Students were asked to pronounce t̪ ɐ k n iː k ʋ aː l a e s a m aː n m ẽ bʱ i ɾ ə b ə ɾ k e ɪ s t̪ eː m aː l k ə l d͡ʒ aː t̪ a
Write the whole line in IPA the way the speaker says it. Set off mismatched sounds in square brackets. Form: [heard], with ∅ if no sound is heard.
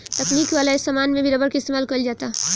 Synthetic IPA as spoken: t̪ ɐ k n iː k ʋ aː l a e s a m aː n m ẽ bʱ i ɾ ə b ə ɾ k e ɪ s t̪ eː m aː l k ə l d͡ʒ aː t̪ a